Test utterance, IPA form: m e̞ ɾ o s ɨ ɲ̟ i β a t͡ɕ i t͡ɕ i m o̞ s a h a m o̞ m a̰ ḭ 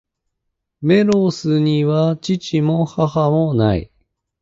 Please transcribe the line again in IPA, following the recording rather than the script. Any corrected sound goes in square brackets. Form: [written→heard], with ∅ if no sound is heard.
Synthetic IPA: m e̞ ɾ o s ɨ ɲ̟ i β a t͡ɕ i t͡ɕ i m o̞ [s→h] a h a m o̞ [m→n] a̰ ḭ

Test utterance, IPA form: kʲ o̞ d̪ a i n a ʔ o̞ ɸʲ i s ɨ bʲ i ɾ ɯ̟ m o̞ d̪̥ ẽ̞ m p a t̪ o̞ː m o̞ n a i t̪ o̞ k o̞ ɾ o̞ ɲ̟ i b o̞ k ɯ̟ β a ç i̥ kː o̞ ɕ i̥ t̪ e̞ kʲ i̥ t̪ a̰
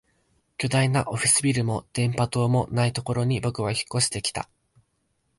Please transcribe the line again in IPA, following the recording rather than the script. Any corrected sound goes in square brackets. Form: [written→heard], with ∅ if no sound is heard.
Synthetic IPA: kʲ o̞ d̪ a i n a ʔ o̞ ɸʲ i s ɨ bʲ i ɾ ɯ̟ m o̞ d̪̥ ẽ̞ m p a t̪ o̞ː m o̞ n a i t̪ o̞ k o̞ ɾ o̞ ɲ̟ i b o̞ k ɯ̟ β a ç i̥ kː o̞ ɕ i̥ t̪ e̞ kʲ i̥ t̪ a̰

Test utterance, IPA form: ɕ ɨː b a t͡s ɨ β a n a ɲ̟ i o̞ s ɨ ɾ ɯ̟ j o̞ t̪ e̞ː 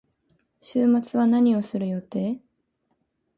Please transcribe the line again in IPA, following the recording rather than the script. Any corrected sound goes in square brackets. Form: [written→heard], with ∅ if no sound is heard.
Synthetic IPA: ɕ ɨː [b→m] a t͡s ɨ β a n a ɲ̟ i o̞ s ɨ ɾ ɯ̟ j o̞ t̪ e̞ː

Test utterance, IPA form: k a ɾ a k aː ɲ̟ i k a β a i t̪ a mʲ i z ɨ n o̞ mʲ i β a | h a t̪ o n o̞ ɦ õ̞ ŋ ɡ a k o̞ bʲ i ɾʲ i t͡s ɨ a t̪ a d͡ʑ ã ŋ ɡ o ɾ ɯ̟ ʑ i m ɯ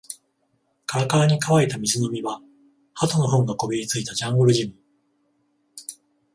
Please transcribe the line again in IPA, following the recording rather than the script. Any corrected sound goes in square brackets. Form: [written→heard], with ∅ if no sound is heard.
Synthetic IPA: k a ɾ a k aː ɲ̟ i k a β a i t̪ a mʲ i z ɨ n o̞ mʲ i β a | h a t̪ o n o̞ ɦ õ̞ ŋ ɡ a k o̞ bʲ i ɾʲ i t͡s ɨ [a→i] t̪ a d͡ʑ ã ŋ ɡ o ɾ ɯ̟ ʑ i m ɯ

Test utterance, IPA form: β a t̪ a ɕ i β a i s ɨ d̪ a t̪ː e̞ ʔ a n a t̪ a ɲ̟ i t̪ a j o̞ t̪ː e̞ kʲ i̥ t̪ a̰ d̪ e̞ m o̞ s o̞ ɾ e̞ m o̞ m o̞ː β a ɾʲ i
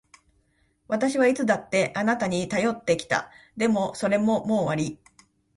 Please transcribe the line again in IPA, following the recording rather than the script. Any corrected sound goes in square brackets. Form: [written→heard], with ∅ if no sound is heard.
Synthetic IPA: β a t̪ a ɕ i β a i [s→t͡s] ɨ d̪ a t̪ː e̞ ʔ a n a t̪ a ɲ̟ i t̪ a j o̞ t̪ː e̞ kʲ i̥ t̪ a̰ d̪ e̞ m o̞ s o̞ ɾ e̞ m o̞ m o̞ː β a ɾʲ i

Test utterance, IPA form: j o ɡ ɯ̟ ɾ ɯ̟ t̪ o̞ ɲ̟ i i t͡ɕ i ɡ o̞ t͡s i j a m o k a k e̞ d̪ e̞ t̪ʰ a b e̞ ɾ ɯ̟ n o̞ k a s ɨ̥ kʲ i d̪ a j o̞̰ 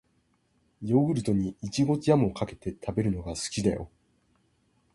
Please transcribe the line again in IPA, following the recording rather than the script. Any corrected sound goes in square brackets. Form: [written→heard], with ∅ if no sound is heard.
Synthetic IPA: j o ɡ ɯ̟ ɾ ɯ̟ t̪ o̞ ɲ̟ i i t͡ɕ i ɡ o̞ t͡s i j a m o k a k e̞ [d̪→t̪] e̞ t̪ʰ a b e̞ ɾ ɯ̟ n o̞ [k→ɡ] a s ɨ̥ kʲ i d̪ a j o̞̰

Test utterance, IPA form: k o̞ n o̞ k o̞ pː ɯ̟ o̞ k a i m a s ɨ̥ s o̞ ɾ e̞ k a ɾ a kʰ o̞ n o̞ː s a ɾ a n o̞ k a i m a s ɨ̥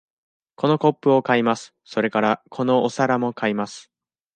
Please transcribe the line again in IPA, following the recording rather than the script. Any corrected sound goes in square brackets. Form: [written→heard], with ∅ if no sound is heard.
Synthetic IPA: k o̞ n o̞ k o̞ pː ɯ̟ o̞ k a i m a s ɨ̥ s o̞ ɾ e̞ k a ɾ a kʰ o̞ n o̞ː s a ɾ a [n→m] o̞ k a i m a s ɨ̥

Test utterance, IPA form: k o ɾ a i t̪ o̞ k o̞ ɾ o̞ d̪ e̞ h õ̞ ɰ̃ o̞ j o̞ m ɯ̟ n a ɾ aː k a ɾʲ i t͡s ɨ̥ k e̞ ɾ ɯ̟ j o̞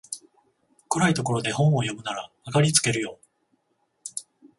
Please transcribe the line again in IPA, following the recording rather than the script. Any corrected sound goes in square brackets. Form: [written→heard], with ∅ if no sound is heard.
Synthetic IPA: k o ɾ a i t̪ o̞ k o̞ ɾ o̞ d̪ e̞ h õ̞ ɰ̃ o̞ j o̞ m ɯ̟ n a ɾ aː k a ɾʲ i t͡s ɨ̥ k e̞ ɾ ɯ̟ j o̞

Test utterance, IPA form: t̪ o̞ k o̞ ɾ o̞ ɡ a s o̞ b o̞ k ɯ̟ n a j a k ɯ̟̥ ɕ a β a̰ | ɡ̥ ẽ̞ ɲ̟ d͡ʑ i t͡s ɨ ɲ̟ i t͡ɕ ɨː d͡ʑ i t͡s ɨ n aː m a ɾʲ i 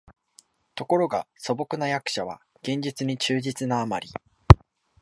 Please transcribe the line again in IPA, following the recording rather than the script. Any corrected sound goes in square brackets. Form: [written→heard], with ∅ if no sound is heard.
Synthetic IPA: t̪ o̞ k o̞ ɾ o̞ ɡ a s o̞ b o̞ k ɯ̟ n a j a k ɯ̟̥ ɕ a β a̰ | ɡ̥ ẽ̞ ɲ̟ d͡ʑ i t͡s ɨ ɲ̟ i t͡ɕ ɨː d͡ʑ i t͡s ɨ n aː m a ɾʲ i

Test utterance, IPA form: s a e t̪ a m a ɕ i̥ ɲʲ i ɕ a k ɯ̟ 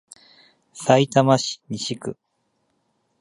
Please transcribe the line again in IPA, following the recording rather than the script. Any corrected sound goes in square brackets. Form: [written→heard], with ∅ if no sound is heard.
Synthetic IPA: s a [e→i] t̪ a m a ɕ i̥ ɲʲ i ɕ [a→i] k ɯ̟

